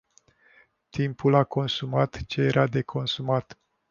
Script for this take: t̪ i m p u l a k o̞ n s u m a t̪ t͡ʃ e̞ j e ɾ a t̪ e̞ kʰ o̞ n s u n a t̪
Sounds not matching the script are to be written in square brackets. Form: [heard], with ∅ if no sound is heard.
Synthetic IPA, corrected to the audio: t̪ i m p u l a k o̞ n s u m a t̪ t͡ʃ e̞ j e ɾ a [d̪] e̞ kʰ o̞ n s u [m] a t̪